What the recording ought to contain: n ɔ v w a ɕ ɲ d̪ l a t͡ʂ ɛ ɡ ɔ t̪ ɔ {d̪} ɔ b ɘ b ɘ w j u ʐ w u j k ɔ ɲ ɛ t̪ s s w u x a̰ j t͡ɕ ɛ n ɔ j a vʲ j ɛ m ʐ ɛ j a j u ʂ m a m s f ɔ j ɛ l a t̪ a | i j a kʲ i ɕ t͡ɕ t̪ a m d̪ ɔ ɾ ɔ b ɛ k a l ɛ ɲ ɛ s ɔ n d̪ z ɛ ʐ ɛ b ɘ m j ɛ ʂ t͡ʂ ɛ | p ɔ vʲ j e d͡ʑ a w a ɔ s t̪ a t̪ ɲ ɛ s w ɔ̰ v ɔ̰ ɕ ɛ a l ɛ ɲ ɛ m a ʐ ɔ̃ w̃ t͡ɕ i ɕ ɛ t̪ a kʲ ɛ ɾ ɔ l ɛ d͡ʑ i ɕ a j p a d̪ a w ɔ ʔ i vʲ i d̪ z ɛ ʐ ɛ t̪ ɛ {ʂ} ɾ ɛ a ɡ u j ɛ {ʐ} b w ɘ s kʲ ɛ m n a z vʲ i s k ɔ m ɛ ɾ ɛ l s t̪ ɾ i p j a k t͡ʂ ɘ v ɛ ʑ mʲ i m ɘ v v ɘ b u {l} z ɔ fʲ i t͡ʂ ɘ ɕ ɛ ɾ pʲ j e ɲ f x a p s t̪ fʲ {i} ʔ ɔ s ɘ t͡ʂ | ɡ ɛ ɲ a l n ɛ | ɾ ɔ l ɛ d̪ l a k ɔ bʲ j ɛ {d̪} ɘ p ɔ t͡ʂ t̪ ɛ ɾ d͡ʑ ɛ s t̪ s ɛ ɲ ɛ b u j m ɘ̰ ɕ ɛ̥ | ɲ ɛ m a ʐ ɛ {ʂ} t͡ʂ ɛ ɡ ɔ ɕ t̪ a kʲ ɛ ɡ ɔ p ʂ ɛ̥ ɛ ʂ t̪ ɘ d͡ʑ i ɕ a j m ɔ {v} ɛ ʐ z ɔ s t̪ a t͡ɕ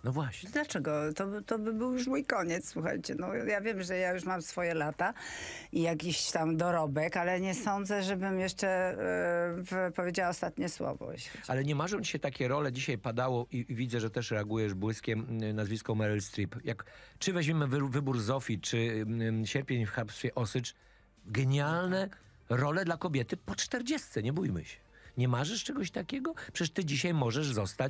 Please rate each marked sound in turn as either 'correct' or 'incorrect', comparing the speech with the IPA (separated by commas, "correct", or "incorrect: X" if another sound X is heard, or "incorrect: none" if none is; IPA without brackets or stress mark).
incorrect: t̪, correct, correct, incorrect: ɾ, incorrect: ɛ, incorrect: t̪, correct, incorrect: ʐ